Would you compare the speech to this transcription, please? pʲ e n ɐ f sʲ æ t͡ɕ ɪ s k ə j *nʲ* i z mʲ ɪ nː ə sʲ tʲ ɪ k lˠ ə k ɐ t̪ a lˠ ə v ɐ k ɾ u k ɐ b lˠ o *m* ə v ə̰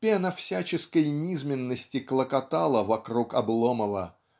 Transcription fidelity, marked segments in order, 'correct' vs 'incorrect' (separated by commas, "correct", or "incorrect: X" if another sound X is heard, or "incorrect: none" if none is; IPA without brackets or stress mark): correct, correct